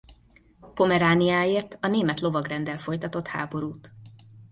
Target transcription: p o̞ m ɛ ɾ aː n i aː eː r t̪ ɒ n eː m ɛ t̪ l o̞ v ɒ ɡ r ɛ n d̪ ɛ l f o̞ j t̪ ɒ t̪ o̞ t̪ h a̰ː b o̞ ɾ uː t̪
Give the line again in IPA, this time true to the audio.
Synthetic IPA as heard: p o̞ m ɛ ɾ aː n i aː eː r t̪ ɒ n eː m ɛ t̪ l o̞ v ɒ ɡ r ɛ n d̪ ɛ l f o̞ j t̪ ɒ t̪ o̞ t̪ h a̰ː b o̞ ɾ uː t̪